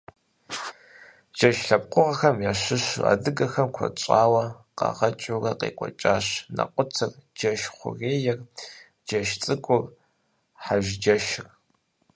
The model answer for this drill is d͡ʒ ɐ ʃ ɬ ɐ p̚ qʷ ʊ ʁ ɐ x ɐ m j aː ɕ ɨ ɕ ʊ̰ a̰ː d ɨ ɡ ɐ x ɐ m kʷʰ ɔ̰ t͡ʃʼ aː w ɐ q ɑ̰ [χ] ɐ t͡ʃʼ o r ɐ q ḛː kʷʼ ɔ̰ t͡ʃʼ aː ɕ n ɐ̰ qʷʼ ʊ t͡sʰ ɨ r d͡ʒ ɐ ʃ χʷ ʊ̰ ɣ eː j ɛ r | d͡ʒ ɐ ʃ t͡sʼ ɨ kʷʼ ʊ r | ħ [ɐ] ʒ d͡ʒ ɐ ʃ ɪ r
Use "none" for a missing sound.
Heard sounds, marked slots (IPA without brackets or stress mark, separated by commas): ʁ, a